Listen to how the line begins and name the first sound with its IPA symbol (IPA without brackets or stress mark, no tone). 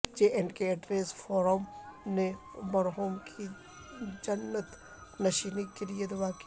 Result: d͡ʒ